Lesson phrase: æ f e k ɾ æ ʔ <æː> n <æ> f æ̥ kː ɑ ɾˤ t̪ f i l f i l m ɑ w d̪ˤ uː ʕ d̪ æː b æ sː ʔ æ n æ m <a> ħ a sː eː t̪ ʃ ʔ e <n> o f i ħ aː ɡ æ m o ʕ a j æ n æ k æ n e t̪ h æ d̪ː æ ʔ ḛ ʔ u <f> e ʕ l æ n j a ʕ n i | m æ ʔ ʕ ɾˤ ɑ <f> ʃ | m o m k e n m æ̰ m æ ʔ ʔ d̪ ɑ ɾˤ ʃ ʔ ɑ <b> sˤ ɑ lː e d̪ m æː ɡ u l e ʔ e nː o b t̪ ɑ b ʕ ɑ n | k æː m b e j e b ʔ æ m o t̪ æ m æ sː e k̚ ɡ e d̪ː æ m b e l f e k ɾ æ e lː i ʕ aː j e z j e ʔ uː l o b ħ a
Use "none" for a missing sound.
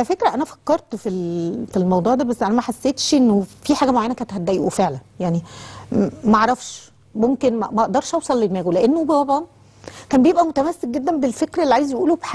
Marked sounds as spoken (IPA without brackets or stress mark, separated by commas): æ, æ, æ, nː, f, f, w